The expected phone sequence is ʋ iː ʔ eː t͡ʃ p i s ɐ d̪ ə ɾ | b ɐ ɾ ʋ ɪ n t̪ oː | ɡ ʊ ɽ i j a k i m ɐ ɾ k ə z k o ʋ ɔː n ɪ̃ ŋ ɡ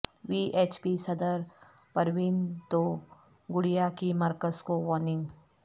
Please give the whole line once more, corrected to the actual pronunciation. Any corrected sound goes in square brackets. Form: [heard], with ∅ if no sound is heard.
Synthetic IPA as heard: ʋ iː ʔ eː t͡ʃ p i s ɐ d̪ ə ɾ | [p] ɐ ɾ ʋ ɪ n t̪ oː | ɡ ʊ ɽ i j a k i m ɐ ɾ k ə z k o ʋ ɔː n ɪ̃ ŋ ɡ